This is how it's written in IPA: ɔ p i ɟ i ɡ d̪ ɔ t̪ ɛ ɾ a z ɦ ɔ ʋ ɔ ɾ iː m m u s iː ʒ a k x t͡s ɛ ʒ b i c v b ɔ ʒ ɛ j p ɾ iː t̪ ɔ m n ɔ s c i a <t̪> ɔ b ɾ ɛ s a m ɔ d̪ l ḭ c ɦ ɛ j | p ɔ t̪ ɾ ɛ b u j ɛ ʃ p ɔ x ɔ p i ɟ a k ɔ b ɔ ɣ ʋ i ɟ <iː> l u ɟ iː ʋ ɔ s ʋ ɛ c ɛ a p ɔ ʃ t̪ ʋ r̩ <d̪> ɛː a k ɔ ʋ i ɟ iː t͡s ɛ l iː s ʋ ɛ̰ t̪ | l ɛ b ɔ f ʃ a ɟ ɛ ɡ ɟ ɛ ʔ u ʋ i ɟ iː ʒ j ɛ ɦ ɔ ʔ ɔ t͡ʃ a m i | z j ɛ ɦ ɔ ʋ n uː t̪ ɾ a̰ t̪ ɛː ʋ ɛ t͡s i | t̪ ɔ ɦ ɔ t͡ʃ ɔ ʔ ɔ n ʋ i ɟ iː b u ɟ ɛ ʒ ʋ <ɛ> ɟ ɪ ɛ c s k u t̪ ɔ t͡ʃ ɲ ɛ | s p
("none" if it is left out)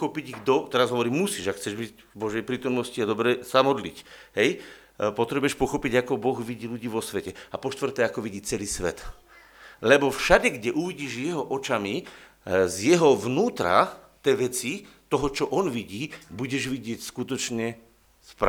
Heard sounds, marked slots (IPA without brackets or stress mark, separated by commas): d̪, iː, t̪, i